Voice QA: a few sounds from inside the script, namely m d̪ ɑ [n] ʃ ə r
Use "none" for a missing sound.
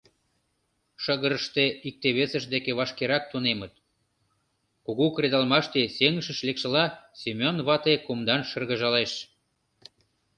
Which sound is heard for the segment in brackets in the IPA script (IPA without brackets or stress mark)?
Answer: n